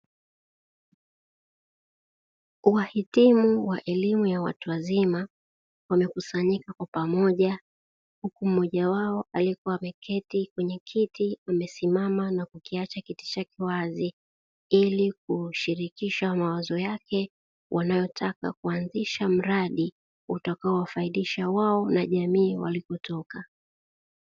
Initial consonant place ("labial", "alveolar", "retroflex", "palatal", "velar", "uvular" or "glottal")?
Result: glottal